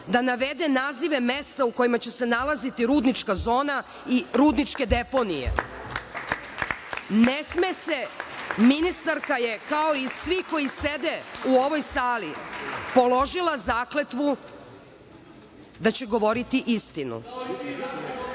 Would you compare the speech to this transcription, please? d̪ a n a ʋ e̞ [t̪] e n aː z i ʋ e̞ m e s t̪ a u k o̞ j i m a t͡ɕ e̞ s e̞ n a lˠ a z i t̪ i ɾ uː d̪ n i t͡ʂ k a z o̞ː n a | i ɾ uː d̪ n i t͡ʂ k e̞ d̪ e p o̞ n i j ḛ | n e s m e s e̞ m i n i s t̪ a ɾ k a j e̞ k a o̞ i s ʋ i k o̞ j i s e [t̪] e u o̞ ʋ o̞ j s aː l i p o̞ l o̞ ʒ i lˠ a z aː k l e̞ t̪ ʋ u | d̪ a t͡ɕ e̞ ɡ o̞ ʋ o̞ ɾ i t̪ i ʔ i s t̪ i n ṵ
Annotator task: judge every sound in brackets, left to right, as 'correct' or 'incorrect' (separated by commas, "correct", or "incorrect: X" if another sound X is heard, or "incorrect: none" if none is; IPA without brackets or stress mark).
incorrect: d̪, incorrect: d̪